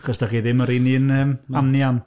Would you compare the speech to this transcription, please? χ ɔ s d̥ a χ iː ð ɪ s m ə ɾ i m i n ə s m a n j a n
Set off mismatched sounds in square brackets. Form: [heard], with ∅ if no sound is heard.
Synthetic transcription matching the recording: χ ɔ s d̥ a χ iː ð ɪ [∅] m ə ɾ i [n] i n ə [∅] m a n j a n